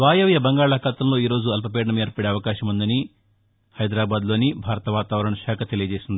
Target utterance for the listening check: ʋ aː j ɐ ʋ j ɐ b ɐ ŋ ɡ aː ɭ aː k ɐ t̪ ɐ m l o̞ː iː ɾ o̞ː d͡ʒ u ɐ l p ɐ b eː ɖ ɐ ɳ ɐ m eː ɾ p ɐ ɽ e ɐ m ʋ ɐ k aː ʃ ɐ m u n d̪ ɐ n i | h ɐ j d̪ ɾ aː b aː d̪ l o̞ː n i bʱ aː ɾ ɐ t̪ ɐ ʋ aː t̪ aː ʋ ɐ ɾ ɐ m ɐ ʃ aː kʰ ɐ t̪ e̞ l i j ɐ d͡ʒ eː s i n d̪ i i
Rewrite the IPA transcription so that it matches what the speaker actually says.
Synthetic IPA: ʋ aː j ɐ ʋ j ɐ b ɐ ŋ ɡ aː ɭ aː k ɐ t̪ ɐ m l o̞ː iː ɾ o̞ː d͡ʒ u ɐ l p ɐ p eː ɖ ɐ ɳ ɐ m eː ɾ p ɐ ɽ e ɐ ʋ ɐ k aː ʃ ɐ m u n d̪ ɐ n i | h ɐ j d̪ ɾ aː b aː d̪ l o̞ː n i bʱ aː ɾ ɐ t̪ ɐ ʋ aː t̪ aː ʋ ɐ ɾ ɐ ɳ ɐ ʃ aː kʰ ɐ t̪ e̞ l i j ɐ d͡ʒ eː s i n d̪ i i